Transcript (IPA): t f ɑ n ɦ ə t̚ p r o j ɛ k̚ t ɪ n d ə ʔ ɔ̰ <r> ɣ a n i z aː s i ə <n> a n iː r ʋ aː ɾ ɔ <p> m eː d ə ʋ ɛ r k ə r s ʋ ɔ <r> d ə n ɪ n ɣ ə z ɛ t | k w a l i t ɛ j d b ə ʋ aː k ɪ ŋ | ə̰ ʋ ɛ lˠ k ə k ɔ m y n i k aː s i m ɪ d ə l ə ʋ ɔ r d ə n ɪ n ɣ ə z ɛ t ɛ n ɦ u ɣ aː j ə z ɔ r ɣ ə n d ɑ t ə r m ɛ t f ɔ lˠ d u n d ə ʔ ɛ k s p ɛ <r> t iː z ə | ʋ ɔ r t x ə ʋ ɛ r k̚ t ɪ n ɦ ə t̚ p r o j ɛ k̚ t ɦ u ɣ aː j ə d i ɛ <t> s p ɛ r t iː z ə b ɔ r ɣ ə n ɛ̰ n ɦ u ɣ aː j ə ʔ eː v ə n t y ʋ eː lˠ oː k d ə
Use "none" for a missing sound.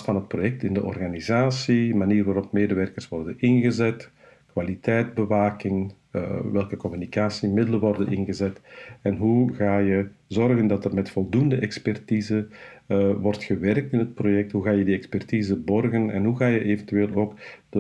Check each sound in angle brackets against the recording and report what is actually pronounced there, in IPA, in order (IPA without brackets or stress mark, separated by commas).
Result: r, m, p, r, r, k